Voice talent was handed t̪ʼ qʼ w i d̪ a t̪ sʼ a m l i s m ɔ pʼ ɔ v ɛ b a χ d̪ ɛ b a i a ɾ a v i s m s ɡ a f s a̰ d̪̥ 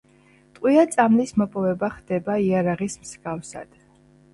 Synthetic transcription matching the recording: t̪ʼ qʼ w i a t̪ sʼ a m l i s m ɔ pʼ ɔ v ɛ b a χ d̪ ɛ b a i a ɾ a ʁ i s m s ɡ a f s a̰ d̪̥